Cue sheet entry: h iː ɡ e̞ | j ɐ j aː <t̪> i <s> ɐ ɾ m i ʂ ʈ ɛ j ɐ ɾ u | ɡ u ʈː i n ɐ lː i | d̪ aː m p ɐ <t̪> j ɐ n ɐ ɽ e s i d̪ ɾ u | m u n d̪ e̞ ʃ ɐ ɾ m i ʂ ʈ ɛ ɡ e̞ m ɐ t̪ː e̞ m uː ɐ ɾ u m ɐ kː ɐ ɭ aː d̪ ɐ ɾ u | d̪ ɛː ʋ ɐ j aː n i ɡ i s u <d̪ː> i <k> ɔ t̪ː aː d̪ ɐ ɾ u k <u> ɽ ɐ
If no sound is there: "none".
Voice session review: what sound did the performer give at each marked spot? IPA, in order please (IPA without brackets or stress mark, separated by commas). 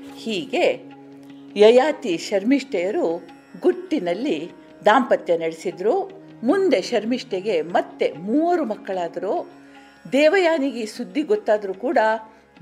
t̪, ʃ, t̪, d̪ː, ɡ, uː